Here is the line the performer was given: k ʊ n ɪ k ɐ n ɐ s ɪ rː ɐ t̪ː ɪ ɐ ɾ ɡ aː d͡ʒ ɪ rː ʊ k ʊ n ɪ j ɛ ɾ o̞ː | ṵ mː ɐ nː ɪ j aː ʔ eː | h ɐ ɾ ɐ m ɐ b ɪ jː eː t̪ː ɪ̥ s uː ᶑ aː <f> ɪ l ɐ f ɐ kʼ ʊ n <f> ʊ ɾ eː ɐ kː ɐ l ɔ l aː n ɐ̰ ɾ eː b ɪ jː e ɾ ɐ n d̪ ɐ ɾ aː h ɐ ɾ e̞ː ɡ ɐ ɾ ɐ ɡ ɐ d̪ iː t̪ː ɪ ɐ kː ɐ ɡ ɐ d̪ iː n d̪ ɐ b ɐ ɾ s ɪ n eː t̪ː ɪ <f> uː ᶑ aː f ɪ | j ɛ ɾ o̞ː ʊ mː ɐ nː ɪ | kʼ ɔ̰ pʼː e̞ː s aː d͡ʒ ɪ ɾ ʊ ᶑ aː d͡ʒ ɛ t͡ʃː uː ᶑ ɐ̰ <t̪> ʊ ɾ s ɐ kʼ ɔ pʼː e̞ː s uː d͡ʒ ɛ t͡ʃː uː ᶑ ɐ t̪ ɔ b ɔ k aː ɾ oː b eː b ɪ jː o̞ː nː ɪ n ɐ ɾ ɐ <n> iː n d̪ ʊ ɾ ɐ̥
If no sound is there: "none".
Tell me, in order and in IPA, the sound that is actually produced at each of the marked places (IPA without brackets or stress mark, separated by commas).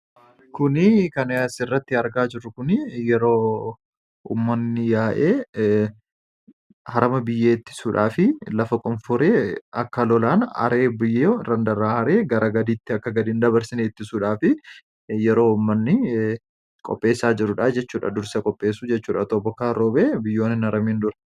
f, f, s, d̪, m